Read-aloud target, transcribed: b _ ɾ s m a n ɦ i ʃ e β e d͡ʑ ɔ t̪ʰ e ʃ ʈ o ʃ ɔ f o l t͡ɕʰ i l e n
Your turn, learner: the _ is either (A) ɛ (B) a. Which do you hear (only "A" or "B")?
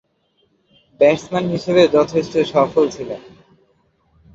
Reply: A